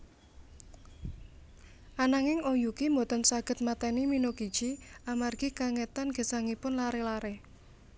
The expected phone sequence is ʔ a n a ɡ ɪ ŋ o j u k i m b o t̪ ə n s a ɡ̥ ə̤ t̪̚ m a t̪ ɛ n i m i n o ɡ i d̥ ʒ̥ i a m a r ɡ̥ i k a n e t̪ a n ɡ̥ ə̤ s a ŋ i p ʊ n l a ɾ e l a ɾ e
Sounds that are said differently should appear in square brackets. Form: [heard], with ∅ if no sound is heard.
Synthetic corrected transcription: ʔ a n a [ŋ] ɪ ŋ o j u k i m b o t̪ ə n s a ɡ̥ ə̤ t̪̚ m a t̪ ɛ n i m i n o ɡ i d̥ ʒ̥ i a m a r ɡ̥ i k a [ŋ] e t̪ a n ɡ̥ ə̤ s a ŋ i p ʊ n l a ɾ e l a ɾ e

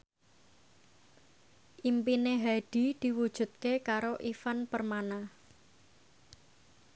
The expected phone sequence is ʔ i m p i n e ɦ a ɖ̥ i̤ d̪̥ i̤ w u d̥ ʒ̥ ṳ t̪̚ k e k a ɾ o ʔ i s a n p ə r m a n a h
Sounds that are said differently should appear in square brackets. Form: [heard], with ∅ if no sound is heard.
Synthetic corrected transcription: ʔ i m p i n e ɦ a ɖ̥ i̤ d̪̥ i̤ w u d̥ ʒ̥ ṳ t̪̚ k e k a ɾ o ʔ i [f] a n p ə r m a n a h

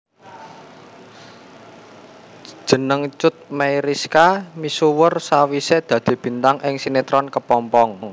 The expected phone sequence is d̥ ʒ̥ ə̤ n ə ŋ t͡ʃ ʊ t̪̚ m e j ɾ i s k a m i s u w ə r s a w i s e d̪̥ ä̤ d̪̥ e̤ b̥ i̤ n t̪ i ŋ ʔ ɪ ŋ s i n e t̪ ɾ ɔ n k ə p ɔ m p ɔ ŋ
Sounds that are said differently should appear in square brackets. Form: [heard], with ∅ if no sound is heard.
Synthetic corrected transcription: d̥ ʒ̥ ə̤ n ə ŋ t͡ʃ ʊ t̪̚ m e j ɾ i s k a m i s u w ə r s a w i s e d̪̥ ä̤ d̪̥ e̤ b̥ i̤ n t̪ [a] ŋ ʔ ɪ ŋ s i n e t̪ ɾ ɔ n k ə p ɔ m p ɔ ŋ

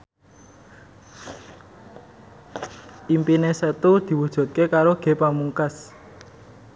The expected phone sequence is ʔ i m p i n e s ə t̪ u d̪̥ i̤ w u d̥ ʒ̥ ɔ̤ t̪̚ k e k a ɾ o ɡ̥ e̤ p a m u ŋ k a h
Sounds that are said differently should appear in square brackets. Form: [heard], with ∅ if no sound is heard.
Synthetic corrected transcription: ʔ i m p i n e s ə t̪ u d̪̥ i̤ w u d̥ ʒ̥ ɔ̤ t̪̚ k e k a ɾ o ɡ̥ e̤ p a m u ŋ k a [s]

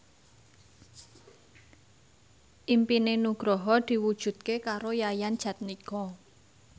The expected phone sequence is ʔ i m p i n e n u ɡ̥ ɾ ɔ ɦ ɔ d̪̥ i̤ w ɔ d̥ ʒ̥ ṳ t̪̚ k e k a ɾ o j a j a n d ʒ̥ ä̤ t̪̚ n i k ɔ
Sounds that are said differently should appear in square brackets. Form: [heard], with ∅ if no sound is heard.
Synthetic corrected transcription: ʔ i m p i n e n u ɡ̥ ɾ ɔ ɦ ɔ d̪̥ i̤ w [u] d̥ ʒ̥ ṳ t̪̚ k e k a ɾ o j a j a n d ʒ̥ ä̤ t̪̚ n i k ɔ

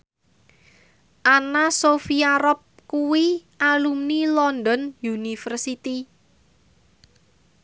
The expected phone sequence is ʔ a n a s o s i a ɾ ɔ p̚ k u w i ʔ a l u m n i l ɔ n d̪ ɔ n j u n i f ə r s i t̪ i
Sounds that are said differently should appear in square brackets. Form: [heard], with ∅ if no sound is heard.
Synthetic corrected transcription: ʔ a n a s o [f] i a ɾ ɔ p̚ k u w i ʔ a l u m n i l ɔ n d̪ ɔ n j u n i f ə r s i t̪ i

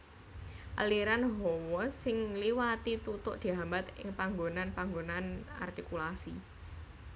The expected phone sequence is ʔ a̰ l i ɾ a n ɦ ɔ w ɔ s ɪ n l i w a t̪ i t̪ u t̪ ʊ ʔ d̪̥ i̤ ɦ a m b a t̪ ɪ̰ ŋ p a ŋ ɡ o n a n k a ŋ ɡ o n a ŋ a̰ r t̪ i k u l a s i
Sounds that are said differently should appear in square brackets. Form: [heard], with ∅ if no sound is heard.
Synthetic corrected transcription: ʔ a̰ l i ɾ a n ɦ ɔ w ɔ s ɪ [ŋ] l i w a t̪ i t̪ u t̪ ʊ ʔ d̪̥ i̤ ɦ a m b a t̪ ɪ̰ ŋ p a ŋ ɡ o n a n [p] a ŋ ɡ o n a [n] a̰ r t̪ i k u l a s i

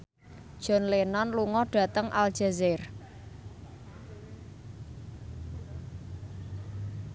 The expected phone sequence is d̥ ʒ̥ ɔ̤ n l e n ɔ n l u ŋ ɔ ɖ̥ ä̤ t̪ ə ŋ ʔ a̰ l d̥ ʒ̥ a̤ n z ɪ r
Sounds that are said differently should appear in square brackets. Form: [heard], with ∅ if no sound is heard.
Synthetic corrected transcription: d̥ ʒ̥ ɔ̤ n l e n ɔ n l u ŋ ɔ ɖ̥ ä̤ t̪ ə ŋ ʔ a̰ l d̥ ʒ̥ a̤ [∅] z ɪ r

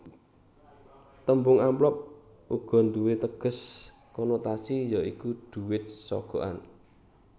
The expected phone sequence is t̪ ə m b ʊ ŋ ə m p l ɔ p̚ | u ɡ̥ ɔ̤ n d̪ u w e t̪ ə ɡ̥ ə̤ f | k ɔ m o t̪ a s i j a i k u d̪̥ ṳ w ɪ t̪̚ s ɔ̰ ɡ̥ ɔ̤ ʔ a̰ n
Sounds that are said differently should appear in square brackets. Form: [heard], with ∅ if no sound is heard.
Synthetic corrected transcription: t̪ ə m b ʊ ŋ [a] m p l ɔ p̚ | u ɡ̥ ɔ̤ n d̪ u w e t̪ ə ɡ̥ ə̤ [s] | k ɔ [n] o t̪ a s i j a i k u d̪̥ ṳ w ɪ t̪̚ s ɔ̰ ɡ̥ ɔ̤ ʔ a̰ n

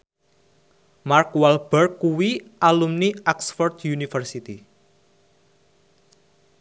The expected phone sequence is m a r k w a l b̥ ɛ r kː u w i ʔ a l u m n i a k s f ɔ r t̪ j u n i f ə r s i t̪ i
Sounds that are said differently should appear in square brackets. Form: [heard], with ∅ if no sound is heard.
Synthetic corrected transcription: m a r k w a l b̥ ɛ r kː u w i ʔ a l u m n i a k s f ɔ r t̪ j u n i f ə r s i t̪ i

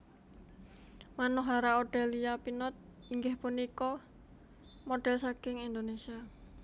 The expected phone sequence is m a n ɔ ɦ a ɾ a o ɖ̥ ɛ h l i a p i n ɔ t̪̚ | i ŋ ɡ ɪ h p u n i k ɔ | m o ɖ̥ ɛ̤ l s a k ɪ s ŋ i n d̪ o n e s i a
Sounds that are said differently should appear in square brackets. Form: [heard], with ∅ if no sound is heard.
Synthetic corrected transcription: m a n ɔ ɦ a ɾ a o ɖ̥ ɛ [∅] l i a p i n ɔ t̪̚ | i ŋ ɡ ɪ h p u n i k ɔ | m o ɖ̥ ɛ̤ l s a k ɪ [∅] ŋ i n d̪ o n e s i a

